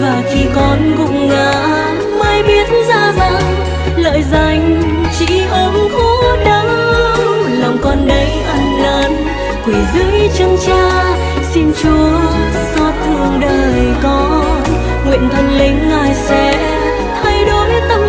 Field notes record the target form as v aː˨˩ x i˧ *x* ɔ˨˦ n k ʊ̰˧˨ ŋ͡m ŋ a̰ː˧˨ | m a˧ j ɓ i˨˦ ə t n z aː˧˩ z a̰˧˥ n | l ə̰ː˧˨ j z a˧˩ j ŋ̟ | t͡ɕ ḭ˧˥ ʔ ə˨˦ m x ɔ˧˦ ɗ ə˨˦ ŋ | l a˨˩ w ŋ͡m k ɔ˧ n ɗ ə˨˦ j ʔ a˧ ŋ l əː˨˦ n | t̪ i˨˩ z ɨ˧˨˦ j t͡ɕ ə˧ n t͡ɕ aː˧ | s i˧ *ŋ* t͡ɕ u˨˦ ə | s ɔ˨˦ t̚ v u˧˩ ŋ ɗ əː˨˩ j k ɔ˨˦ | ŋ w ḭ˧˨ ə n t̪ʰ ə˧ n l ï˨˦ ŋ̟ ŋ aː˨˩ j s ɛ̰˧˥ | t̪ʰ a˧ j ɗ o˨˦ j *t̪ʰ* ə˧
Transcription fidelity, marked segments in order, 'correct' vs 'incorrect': incorrect: k, incorrect: n, incorrect: t̪

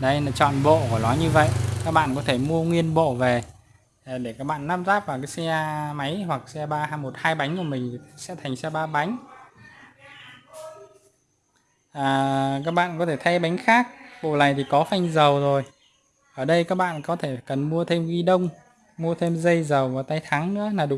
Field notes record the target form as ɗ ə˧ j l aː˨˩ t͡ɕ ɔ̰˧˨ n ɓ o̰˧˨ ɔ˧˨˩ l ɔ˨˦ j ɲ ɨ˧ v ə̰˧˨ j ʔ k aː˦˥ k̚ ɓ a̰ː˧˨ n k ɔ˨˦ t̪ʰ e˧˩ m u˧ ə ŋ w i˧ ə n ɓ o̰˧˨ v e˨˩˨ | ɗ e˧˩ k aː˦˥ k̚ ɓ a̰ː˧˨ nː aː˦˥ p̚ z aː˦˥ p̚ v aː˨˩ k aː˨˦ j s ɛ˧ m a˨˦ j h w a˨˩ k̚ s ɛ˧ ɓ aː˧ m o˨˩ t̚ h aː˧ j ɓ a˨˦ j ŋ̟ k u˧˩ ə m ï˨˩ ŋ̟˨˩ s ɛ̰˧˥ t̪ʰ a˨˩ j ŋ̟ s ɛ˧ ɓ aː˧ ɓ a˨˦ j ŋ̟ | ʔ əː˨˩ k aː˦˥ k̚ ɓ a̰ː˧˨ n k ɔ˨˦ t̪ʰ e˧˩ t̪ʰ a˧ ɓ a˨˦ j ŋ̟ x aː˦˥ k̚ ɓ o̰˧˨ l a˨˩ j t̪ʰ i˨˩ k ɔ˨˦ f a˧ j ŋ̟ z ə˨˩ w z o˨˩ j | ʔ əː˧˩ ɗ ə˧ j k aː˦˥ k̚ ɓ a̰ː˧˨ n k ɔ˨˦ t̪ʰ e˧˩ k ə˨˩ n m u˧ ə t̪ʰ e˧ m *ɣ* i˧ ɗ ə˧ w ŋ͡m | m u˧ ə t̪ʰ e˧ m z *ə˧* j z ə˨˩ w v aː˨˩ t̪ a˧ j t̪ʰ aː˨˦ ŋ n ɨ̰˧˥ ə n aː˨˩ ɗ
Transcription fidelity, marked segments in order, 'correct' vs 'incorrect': correct, correct

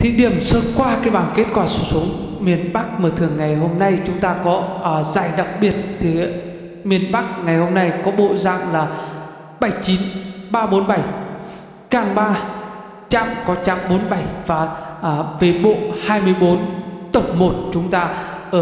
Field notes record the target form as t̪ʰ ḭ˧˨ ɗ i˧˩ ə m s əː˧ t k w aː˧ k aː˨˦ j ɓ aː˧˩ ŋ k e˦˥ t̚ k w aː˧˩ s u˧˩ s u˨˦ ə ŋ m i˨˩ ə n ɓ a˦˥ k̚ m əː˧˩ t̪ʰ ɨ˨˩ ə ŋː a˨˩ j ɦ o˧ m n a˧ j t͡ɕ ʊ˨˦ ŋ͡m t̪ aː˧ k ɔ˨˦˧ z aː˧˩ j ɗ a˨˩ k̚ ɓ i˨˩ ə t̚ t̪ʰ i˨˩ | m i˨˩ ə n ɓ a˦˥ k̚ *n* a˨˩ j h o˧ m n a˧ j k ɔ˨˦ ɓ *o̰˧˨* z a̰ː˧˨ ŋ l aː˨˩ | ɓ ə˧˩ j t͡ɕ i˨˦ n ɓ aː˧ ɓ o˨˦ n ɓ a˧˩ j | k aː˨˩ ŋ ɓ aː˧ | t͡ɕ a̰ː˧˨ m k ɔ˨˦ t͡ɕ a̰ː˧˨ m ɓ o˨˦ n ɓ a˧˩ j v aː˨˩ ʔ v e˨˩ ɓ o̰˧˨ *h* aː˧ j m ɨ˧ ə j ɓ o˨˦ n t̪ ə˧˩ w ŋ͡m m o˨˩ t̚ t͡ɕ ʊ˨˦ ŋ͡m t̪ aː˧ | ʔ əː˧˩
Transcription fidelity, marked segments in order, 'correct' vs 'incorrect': incorrect: ŋ, correct, correct

